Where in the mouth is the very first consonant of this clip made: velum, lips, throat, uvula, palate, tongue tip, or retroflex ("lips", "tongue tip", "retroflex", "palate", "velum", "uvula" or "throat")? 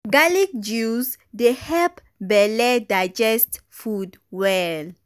velum